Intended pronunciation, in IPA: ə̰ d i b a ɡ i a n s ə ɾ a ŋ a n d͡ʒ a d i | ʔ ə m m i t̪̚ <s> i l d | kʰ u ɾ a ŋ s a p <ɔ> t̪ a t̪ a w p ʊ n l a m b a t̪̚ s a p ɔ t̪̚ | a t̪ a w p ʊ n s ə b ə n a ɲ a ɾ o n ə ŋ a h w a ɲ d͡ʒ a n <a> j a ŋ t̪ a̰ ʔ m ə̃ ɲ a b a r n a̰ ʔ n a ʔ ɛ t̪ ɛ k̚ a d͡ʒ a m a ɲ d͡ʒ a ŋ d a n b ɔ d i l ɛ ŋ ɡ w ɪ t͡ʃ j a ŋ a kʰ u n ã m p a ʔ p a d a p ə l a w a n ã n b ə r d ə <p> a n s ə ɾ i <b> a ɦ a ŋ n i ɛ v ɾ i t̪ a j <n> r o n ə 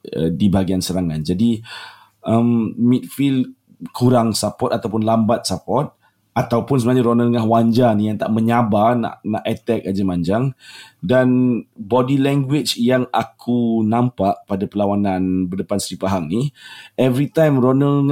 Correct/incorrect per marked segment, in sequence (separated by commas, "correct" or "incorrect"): incorrect, correct, incorrect, correct, incorrect, incorrect